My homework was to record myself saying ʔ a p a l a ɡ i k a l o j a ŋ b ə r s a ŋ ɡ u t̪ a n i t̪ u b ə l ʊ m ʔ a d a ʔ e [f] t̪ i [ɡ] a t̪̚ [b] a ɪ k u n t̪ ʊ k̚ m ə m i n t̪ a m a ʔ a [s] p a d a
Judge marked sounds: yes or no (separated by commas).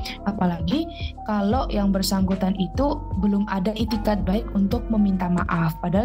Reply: no, no, yes, no